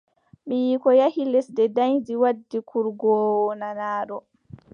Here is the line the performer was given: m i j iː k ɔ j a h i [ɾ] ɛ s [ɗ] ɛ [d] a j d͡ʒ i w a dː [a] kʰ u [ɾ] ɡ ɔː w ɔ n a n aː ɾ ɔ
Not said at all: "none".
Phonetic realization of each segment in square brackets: l, d, d, i, ɾ

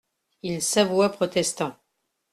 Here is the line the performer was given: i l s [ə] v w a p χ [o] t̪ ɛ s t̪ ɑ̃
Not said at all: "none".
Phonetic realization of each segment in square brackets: a, ɔ

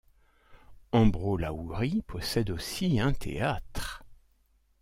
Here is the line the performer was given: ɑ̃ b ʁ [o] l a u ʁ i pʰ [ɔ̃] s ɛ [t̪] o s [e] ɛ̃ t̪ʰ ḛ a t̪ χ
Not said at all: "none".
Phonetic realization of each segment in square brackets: o, ɔ, d̪, i

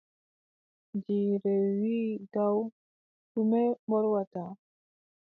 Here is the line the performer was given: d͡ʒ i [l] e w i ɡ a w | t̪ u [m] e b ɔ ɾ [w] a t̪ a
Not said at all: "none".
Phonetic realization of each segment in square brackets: ɾ, m, w

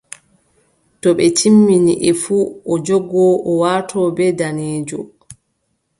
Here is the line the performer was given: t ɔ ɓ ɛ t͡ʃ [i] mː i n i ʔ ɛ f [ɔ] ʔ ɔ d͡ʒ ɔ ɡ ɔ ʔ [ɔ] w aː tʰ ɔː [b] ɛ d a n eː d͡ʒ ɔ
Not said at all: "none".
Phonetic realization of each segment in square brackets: i, u, ɔ, b

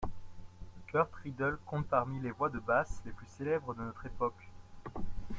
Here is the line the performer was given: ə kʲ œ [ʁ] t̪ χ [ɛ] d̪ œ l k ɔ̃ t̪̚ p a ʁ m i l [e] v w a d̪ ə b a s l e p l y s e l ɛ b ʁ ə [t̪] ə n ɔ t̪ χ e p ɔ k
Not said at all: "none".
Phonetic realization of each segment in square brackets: ʁ, i, e, d̪

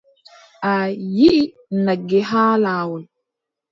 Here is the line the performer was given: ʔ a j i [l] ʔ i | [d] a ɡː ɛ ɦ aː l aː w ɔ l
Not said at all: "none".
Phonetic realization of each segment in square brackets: none, n

